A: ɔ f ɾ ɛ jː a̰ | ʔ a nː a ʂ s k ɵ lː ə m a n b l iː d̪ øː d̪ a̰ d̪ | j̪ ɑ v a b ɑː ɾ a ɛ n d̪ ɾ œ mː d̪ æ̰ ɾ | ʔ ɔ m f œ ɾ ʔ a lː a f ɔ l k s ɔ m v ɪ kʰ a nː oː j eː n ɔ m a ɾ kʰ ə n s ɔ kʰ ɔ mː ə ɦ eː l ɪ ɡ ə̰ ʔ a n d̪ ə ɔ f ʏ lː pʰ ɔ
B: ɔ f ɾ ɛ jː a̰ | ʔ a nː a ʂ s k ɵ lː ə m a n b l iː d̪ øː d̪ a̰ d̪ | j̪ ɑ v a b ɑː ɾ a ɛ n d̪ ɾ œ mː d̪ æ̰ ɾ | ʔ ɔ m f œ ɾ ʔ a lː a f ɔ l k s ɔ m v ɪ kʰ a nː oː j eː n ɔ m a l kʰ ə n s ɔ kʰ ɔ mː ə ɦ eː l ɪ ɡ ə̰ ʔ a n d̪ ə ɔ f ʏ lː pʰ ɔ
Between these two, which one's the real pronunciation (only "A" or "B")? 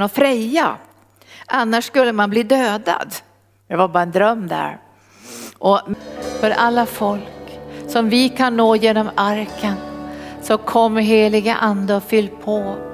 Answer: A